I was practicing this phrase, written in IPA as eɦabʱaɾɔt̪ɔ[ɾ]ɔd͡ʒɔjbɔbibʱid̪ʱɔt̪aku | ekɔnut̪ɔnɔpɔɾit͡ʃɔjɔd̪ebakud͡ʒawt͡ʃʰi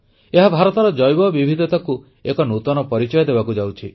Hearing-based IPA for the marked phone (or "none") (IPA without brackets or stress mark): ɾ